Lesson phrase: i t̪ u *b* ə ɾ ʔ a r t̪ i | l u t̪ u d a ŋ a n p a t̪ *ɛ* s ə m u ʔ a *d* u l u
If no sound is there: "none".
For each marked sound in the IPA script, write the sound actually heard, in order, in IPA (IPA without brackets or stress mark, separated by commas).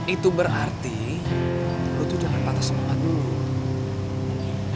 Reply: b, a, d